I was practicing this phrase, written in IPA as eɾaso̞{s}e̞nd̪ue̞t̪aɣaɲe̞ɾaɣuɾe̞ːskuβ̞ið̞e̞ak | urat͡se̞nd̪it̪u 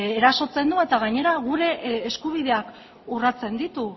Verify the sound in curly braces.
incorrect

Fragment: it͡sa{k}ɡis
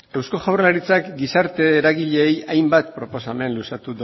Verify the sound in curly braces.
correct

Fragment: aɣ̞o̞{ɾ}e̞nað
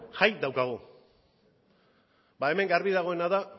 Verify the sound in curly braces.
incorrect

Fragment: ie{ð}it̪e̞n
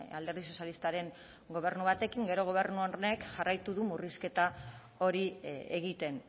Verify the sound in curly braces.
incorrect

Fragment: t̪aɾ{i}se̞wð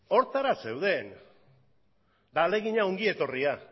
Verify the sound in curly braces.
incorrect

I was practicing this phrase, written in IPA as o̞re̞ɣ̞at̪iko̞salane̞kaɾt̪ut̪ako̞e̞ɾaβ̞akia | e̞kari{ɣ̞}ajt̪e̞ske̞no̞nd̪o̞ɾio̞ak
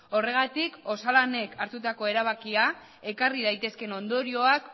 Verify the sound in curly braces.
incorrect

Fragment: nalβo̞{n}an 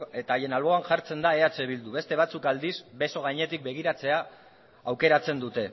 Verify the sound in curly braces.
incorrect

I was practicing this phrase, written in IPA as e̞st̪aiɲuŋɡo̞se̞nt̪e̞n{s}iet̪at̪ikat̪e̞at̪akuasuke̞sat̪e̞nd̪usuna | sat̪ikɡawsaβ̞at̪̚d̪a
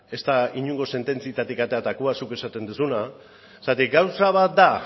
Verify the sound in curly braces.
incorrect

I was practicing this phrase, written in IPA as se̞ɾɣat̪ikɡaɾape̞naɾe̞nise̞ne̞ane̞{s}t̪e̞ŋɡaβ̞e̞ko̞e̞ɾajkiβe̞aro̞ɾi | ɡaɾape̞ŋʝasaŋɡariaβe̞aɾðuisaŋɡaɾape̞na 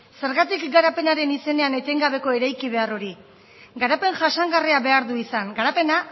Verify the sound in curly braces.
incorrect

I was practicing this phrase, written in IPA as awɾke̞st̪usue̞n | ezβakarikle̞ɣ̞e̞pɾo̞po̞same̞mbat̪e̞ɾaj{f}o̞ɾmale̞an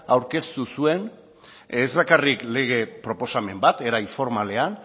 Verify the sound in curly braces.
correct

